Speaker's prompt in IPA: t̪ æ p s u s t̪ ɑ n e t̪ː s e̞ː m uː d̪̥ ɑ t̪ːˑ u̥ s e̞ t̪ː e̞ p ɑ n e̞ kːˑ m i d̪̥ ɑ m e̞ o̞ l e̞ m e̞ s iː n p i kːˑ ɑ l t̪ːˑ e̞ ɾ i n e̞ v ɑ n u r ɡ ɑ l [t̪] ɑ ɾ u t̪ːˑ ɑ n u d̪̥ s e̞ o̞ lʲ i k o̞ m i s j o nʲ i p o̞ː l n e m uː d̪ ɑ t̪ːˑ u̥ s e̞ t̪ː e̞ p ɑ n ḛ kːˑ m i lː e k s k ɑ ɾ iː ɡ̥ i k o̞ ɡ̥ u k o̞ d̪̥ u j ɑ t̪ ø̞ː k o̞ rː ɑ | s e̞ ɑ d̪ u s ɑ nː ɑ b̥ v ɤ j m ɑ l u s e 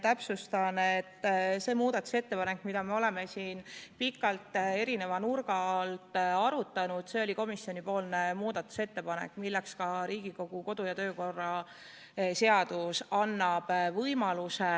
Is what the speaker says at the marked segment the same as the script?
yes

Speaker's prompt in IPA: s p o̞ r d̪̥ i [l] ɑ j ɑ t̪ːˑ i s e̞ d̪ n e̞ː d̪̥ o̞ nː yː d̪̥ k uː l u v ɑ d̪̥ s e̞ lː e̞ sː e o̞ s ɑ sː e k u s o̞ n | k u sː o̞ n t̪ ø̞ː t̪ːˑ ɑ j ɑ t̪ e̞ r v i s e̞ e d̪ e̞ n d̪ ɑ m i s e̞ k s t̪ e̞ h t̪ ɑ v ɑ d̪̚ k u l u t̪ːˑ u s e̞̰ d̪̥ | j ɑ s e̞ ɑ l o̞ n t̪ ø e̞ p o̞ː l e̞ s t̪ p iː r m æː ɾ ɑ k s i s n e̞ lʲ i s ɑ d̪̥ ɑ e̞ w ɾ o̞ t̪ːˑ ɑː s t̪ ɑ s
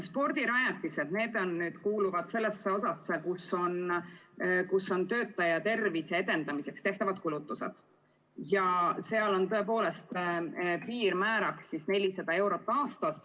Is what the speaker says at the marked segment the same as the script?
no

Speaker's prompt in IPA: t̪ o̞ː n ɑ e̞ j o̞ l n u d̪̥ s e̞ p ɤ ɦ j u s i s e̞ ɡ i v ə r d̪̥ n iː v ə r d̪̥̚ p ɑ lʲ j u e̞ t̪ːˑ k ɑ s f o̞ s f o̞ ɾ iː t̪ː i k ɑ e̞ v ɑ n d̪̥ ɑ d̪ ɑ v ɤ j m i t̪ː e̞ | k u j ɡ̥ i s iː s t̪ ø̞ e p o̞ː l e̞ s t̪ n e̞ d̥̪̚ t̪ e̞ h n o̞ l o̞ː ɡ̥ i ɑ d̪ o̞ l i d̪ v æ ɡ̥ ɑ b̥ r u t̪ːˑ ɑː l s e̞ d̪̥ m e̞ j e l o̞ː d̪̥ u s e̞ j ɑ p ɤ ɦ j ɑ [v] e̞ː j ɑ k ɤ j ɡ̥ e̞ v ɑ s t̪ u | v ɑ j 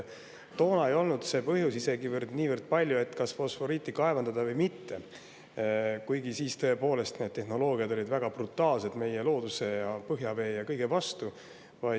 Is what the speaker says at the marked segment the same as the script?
yes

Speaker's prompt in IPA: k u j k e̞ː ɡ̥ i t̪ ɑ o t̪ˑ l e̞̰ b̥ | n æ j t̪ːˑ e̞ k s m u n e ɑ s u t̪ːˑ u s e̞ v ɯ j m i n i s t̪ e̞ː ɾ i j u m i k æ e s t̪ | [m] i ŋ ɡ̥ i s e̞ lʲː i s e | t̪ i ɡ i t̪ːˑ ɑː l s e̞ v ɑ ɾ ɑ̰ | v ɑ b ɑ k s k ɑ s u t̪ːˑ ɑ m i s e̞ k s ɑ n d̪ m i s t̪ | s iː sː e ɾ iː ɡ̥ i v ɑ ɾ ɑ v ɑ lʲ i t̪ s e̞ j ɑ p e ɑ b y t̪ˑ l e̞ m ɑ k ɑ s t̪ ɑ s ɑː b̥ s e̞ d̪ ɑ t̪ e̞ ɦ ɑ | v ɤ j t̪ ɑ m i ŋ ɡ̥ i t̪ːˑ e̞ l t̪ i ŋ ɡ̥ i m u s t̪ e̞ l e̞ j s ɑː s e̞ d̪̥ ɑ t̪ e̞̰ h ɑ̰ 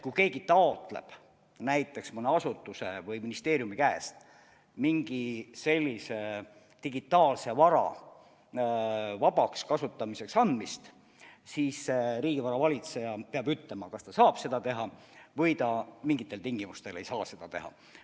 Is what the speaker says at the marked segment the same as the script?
yes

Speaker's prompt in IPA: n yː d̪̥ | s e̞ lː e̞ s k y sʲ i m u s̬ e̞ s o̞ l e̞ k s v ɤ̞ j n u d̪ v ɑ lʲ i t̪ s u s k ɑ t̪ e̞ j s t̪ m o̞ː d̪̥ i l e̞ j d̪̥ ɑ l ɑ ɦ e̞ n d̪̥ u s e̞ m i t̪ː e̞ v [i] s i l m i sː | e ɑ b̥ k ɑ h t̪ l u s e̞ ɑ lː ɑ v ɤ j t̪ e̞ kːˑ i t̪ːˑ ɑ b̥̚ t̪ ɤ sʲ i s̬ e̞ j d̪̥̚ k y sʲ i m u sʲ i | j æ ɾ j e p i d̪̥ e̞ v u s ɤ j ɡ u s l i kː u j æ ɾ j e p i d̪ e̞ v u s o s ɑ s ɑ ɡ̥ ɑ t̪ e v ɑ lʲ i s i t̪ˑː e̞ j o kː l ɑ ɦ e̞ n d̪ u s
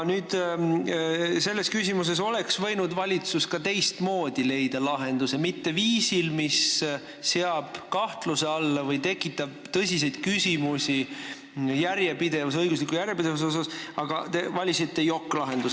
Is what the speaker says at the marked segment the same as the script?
no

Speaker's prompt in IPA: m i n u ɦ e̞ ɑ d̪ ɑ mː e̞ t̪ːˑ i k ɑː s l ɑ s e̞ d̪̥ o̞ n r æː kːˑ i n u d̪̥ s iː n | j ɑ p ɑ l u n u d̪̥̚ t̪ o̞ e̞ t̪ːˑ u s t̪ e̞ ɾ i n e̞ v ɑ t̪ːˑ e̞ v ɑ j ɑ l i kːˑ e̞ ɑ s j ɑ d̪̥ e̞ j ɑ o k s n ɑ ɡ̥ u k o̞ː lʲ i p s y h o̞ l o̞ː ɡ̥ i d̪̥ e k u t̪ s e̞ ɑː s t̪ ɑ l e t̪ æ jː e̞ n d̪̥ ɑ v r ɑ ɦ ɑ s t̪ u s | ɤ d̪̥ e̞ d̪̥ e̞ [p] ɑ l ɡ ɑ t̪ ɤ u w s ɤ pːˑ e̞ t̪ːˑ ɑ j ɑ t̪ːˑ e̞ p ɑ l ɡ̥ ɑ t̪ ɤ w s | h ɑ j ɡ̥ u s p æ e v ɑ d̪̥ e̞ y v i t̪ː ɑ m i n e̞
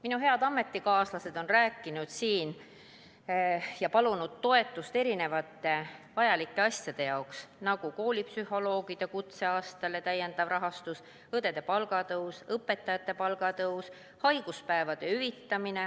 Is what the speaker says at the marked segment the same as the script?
yes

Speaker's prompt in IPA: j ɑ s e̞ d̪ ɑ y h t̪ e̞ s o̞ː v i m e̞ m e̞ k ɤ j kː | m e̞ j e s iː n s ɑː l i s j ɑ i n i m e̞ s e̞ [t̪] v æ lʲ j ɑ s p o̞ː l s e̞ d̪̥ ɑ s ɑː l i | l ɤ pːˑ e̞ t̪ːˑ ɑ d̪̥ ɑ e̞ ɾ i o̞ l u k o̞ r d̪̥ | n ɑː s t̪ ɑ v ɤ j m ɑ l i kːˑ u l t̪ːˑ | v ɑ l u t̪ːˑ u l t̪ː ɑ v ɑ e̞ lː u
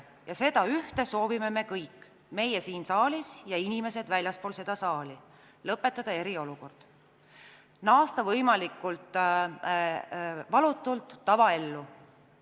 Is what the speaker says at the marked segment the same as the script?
no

